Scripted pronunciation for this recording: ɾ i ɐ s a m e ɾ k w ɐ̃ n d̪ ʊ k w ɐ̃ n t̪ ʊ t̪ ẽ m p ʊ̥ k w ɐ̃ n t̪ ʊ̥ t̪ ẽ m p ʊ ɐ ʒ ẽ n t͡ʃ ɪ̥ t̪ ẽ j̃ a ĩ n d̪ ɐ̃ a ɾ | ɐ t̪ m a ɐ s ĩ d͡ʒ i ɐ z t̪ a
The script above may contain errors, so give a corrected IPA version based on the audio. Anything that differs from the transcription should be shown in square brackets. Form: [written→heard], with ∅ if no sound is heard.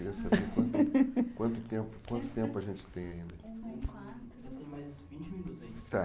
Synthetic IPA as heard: ɾ i ɐ s a [m→b] e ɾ k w ɐ̃ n [d̪→t̪] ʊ k w ɐ̃ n t̪ ʊ t̪ ẽ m p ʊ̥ k w ɐ̃ n t̪ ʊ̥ t̪ ẽ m p ʊ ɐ ʒ ẽ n t͡ʃ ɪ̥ t̪ ẽ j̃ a ĩ n d̪ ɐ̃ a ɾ | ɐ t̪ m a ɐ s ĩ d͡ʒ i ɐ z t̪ a